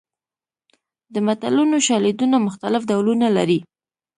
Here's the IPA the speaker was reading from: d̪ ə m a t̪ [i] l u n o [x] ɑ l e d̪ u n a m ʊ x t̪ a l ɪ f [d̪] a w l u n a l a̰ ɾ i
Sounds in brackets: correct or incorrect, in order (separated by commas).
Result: incorrect, incorrect, correct